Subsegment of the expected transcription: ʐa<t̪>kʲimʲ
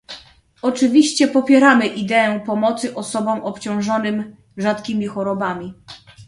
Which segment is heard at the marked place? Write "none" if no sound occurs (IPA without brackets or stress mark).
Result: t̪